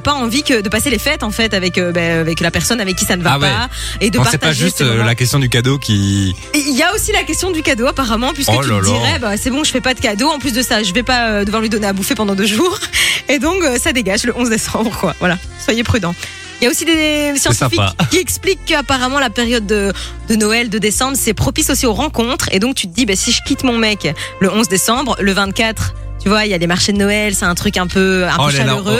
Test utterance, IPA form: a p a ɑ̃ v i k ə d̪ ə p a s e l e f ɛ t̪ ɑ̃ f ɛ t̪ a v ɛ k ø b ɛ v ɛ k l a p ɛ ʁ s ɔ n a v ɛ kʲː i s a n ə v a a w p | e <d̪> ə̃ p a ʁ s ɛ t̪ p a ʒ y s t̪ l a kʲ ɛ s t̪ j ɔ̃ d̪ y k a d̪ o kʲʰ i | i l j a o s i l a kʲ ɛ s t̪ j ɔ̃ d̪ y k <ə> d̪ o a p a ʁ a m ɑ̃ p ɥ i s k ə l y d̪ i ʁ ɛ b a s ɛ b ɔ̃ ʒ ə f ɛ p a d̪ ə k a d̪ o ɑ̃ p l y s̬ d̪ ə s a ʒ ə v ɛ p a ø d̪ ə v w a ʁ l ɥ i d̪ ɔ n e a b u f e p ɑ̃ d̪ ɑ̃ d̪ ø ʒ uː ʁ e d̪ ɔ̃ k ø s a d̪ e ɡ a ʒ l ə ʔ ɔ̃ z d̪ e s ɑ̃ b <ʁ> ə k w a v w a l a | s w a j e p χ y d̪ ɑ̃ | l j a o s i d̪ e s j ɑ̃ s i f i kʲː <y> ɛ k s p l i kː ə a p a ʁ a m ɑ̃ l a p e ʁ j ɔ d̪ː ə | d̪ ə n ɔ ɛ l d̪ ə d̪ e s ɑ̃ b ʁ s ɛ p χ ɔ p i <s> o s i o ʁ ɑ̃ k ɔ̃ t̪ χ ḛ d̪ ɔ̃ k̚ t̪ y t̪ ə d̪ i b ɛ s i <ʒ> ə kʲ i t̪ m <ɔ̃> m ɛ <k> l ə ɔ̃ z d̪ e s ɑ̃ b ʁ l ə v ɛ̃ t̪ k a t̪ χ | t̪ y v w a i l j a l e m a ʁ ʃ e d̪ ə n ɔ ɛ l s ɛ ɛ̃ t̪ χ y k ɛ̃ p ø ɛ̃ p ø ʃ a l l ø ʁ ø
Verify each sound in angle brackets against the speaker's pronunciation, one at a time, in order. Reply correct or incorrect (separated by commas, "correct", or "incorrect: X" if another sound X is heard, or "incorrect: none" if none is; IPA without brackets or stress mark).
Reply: correct, incorrect: a, correct, incorrect: i, correct, correct, correct, correct